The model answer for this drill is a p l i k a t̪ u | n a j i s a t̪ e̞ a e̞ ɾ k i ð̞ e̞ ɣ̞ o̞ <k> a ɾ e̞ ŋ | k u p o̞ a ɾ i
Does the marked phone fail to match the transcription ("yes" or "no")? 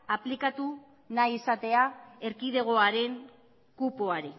yes